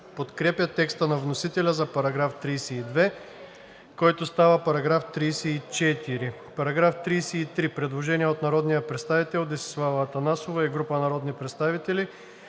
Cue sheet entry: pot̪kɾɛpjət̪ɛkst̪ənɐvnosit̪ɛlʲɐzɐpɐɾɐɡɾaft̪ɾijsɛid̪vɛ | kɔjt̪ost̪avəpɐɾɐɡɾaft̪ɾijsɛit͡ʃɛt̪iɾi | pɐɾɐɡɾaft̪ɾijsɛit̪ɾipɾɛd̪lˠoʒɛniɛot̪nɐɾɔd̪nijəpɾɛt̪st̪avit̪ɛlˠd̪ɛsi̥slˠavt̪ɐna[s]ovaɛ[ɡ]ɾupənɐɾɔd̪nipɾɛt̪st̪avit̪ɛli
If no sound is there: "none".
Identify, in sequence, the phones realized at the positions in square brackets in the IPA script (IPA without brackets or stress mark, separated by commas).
s, ɡ